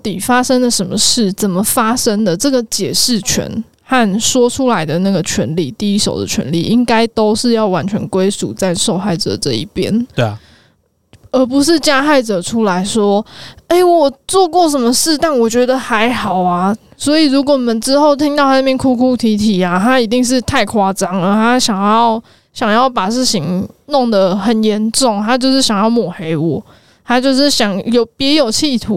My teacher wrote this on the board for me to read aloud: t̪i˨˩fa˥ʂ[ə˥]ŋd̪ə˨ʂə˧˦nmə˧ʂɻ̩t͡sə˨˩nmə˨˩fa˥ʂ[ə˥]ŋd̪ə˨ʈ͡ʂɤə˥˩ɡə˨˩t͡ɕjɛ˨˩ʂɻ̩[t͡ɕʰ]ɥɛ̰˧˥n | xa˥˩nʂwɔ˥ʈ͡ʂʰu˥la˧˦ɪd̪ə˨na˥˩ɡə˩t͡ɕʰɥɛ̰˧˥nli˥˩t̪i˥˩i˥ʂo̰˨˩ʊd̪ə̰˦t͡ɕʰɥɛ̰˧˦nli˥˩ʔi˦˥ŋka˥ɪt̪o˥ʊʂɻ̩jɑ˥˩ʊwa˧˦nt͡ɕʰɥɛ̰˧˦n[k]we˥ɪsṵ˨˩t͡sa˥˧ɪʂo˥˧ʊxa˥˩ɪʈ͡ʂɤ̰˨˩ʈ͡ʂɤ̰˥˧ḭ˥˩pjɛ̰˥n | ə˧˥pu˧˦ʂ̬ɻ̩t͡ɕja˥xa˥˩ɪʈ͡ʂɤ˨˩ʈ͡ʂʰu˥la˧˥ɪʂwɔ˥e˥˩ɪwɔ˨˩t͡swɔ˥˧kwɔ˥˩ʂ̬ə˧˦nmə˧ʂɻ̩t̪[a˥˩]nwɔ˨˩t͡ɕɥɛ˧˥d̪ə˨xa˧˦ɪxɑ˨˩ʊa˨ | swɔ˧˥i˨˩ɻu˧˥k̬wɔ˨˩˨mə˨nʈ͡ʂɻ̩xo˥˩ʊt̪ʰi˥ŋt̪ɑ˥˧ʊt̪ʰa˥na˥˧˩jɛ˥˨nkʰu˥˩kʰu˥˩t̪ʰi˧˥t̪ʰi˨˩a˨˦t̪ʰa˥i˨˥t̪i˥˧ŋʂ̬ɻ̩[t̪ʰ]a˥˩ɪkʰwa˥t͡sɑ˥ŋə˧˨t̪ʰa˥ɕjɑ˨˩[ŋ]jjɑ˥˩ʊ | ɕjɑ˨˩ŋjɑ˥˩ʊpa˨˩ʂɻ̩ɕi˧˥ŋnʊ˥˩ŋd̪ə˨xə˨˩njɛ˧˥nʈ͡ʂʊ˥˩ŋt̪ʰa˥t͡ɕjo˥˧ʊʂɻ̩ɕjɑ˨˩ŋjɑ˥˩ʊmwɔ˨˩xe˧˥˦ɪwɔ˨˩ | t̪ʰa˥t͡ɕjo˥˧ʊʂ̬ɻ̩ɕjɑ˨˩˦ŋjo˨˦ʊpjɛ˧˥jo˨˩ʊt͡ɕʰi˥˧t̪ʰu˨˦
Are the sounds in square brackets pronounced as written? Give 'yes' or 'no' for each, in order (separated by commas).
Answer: yes, yes, yes, yes, yes, yes, yes